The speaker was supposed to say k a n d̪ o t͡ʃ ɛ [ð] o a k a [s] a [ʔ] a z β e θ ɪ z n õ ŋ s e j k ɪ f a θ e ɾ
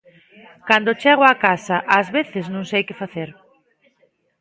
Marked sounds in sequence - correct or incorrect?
incorrect: ɣ, correct, correct

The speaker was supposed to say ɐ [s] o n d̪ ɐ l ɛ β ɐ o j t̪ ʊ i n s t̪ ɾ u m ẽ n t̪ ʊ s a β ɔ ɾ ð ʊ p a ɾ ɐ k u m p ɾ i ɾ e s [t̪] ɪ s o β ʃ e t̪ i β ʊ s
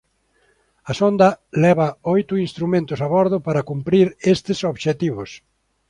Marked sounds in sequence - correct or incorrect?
correct, correct

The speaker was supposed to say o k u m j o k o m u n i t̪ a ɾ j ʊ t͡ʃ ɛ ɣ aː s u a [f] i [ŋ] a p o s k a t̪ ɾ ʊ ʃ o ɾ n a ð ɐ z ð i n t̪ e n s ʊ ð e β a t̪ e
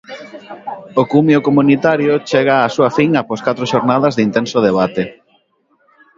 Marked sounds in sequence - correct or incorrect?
correct, correct

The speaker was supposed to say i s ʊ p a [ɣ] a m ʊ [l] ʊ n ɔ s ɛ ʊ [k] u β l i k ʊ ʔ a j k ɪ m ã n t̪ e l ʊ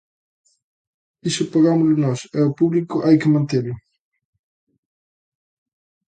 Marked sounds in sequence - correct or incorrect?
correct, correct, incorrect: p

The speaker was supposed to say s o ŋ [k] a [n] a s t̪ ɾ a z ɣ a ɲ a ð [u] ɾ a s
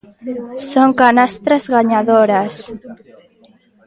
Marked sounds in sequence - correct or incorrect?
correct, correct, incorrect: o

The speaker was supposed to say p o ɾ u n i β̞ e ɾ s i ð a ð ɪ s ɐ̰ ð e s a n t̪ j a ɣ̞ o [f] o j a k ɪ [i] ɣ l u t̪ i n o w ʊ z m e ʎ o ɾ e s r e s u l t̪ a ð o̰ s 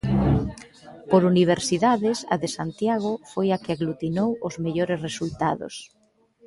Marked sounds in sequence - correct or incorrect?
correct, incorrect: a

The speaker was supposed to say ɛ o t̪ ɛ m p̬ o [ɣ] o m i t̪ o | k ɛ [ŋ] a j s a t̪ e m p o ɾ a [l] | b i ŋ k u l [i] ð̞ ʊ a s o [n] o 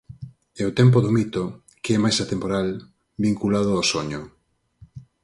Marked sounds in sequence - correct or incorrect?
incorrect: ð, incorrect: m, correct, incorrect: a, incorrect: ɲ

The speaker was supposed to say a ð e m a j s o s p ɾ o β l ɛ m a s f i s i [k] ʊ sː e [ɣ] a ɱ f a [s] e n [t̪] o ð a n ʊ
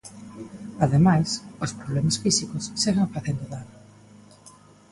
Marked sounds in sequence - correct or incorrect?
correct, correct, incorrect: θ, incorrect: d̪

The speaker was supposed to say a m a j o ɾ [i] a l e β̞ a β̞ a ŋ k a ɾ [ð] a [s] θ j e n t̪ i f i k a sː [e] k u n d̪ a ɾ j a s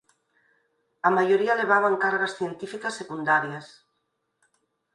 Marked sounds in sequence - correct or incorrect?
correct, incorrect: ɣ, correct, correct

